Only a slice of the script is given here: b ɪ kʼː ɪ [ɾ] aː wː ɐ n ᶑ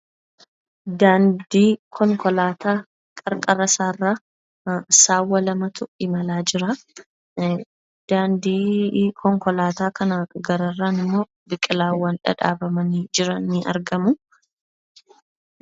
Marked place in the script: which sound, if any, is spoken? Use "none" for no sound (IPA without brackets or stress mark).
l